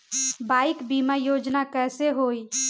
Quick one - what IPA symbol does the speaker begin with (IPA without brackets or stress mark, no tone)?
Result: b